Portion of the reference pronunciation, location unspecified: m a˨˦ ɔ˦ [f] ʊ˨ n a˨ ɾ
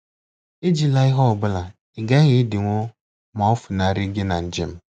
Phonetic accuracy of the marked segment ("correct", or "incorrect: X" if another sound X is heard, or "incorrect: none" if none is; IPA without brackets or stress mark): correct